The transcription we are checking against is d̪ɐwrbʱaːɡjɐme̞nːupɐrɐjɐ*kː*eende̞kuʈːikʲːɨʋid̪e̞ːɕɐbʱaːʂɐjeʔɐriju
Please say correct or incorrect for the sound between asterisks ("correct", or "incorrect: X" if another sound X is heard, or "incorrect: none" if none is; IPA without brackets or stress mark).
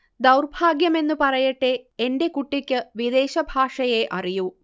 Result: incorrect: ʈː